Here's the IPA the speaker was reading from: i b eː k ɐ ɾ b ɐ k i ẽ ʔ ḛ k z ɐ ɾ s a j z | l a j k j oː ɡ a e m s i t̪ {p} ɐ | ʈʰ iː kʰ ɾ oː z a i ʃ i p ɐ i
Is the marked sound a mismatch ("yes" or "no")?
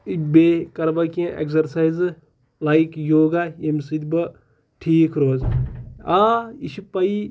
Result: yes